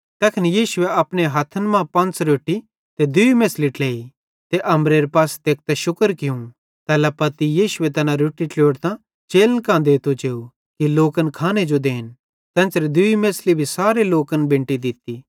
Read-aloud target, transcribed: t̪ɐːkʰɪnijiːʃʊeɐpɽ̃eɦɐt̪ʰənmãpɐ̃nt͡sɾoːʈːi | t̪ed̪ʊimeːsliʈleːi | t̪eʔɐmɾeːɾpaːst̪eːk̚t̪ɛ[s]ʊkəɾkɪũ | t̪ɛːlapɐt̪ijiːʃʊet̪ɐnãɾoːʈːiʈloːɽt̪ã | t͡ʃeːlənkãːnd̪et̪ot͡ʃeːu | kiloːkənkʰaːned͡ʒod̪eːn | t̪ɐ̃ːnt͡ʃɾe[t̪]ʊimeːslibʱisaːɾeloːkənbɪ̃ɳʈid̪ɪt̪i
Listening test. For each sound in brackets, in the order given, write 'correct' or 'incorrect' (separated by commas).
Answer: incorrect, incorrect